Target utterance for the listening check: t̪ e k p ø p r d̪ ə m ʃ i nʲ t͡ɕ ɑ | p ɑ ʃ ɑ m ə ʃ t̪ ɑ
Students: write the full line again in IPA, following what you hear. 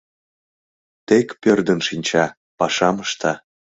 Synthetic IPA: t̪ e k p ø r d̪ ə n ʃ i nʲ t͡ɕ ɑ | p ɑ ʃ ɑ m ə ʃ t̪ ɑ